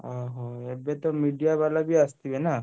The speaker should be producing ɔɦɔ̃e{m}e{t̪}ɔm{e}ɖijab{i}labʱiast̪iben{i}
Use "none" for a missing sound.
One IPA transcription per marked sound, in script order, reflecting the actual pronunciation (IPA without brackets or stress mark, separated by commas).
b, t̪, i, a, a